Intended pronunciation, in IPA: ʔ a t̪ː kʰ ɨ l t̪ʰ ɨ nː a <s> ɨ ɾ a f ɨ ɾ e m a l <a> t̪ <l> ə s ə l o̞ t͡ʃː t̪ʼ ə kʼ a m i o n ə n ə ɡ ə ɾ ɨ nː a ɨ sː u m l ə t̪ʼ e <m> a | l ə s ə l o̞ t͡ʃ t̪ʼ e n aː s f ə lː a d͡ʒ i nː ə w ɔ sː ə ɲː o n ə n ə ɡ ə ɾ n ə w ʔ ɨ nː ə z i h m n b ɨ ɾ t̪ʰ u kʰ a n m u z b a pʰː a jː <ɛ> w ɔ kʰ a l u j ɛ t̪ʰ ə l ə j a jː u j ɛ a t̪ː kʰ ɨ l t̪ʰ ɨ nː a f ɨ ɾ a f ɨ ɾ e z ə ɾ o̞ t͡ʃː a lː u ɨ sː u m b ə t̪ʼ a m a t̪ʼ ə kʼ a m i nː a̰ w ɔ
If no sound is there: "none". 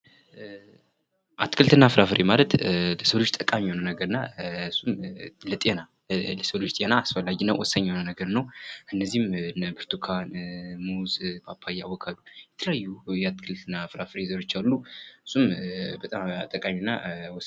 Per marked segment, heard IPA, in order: f, ə, l, n, a

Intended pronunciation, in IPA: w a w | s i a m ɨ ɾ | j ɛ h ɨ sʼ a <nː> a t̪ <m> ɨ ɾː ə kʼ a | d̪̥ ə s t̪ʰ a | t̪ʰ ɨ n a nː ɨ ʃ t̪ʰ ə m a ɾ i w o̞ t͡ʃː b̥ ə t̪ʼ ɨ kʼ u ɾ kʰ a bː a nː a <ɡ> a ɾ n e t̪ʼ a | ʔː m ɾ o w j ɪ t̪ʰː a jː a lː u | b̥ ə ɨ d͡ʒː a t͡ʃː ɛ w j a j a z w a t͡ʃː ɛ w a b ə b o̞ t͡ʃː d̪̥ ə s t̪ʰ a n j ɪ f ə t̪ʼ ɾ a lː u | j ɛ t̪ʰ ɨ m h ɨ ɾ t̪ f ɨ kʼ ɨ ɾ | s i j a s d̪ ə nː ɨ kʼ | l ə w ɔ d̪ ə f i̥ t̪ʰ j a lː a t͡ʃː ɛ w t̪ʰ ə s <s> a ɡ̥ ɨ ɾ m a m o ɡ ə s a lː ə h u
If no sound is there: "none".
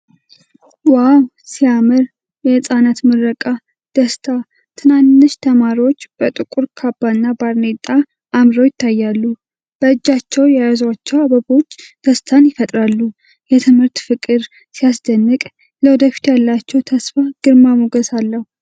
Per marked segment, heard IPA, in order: n, m, b, f

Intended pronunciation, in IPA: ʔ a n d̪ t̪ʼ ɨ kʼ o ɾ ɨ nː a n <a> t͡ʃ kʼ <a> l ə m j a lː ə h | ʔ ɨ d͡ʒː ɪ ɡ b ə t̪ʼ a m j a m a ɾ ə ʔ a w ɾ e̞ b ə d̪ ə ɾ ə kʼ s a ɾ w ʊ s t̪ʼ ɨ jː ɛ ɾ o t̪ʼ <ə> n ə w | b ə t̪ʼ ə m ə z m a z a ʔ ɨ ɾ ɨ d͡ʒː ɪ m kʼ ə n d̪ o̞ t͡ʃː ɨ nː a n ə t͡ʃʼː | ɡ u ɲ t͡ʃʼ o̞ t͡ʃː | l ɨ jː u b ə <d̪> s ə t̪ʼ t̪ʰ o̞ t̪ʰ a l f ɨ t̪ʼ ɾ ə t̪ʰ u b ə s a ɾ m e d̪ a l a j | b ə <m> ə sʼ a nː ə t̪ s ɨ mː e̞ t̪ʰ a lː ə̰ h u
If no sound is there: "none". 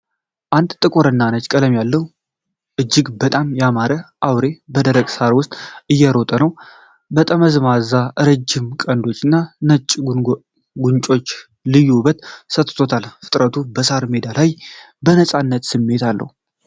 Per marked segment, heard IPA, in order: ə, ə, ə, t̪, n

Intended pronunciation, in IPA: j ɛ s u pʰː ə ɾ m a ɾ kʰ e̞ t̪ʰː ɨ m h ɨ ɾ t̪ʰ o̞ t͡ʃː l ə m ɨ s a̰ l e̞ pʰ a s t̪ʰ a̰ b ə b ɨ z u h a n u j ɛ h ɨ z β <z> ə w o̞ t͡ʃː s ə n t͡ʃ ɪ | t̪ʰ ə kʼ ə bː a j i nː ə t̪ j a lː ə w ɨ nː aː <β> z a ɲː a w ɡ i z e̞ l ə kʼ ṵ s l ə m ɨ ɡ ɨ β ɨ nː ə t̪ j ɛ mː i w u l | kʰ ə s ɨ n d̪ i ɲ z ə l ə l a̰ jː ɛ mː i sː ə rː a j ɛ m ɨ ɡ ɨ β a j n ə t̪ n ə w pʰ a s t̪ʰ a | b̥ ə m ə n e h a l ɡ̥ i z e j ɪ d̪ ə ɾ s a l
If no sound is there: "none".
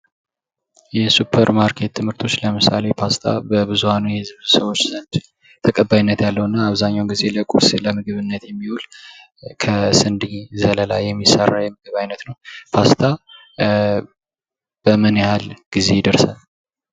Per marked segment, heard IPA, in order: s, β

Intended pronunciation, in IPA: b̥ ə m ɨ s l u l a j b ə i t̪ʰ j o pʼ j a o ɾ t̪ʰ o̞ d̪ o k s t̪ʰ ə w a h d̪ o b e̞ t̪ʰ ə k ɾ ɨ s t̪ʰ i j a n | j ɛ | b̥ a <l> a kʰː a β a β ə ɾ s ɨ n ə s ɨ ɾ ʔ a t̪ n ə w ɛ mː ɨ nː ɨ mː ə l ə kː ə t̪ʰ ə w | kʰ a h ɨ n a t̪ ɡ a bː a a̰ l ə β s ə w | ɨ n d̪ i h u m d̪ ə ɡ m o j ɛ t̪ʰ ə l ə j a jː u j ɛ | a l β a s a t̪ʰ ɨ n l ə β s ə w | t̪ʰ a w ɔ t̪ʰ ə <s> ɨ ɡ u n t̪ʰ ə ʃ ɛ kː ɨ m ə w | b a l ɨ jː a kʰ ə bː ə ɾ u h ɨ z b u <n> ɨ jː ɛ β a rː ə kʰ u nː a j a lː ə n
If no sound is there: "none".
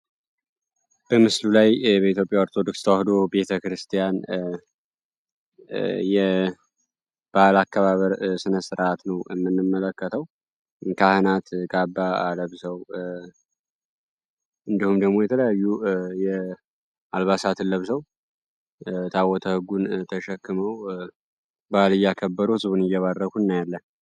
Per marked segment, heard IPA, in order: l, h, n

